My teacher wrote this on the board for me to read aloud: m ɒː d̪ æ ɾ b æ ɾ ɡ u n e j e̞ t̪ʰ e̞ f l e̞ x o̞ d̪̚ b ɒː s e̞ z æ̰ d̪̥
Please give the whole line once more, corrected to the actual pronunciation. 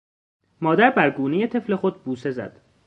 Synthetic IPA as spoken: m ɒː d̪ æ ɾ b æ ɾ ɡ uː n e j e̞ t̪ʰ e̞ f l e̞ x o̞ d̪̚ b uː s e̞ z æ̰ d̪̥